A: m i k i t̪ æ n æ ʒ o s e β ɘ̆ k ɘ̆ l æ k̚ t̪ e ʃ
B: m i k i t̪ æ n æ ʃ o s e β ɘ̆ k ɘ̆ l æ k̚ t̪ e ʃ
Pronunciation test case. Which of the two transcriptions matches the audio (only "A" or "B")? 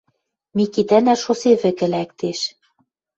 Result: B